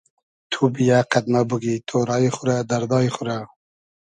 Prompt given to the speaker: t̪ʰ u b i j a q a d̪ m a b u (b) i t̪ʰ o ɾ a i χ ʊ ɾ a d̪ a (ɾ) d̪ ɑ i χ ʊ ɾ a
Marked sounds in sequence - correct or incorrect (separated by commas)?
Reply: incorrect, correct